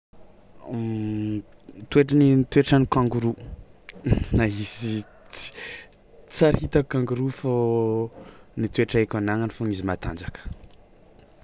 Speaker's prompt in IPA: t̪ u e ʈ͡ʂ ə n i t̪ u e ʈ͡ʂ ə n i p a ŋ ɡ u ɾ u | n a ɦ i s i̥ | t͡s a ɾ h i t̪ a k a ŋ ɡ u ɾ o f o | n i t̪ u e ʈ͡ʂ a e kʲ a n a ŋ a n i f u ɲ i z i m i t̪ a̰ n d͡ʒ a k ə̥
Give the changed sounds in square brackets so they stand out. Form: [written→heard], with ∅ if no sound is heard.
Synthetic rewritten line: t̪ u e ʈ͡ʂ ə n i t̪ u e ʈ͡ʂ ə n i [p→k] a ŋ ɡ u ɾ u | n a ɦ i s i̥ | t͡s a ɾ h i t̪ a k a ŋ ɡ u ɾ [o→u] f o | n i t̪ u e ʈ͡ʂ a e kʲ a n a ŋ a n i f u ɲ i z i m [i→a] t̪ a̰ n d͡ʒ a k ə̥

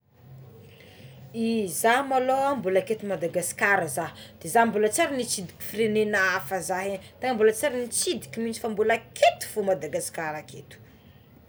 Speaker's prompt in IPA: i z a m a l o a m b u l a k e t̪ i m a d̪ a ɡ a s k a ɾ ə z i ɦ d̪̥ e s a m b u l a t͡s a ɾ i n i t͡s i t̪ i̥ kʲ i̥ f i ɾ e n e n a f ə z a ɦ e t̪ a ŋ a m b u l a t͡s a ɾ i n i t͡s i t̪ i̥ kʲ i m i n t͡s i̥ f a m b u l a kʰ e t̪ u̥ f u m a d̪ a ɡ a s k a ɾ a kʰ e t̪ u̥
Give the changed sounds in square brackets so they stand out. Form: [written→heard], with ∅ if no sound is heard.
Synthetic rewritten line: i z a m a l o a m b u l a k e t̪ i m a d̪ a ɡ a s k a ɾ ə z [i→a] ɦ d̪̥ e [s→z] a m b u l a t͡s a ɾ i n i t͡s i [t̪→d̪] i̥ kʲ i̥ f i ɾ e n e n a f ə z a ɦ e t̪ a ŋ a m b u l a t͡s a ɾ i n i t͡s i [t̪→d̪] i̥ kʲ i m i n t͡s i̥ f a m b u l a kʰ e t̪ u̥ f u m a d̪ a ɡ a s k a ɾ a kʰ e t̪ u̥

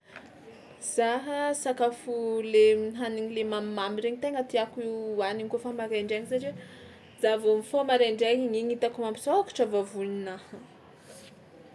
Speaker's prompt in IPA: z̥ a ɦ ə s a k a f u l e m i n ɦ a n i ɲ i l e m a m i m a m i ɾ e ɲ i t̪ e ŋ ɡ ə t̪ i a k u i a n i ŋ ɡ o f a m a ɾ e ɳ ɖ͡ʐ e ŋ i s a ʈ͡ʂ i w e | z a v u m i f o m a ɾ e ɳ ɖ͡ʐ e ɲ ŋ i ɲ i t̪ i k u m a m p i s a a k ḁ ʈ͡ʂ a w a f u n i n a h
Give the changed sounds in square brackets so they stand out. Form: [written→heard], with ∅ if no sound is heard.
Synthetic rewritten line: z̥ a ɦ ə s a k a f u l e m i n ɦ a n i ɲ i l e m a m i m a m i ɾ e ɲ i t̪ e ŋ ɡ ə t̪ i a k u i a n i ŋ [ɡ→k] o f a m a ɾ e ɳ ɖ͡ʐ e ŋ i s a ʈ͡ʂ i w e | z a v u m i f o m a ɾ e ɳ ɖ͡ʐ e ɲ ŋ i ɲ i t̪ [i→a] k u m a m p i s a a k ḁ ʈ͡ʂ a [w→v] a [f→v] u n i n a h

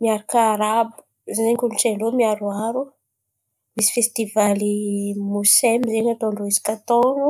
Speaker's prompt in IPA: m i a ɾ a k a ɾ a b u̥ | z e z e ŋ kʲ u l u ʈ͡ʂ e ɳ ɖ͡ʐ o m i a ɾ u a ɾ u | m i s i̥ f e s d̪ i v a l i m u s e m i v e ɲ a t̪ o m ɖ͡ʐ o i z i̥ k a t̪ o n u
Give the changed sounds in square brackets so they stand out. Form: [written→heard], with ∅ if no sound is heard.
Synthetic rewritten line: m i a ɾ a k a ɾ a b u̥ | z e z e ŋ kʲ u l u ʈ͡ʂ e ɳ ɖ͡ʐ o m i a ɾ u a ɾ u | m i s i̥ f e s [d̪→t̪] i v a l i m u s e m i [v→z] e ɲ a t̪ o [m→ɳ] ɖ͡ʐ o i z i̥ k a t̪ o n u

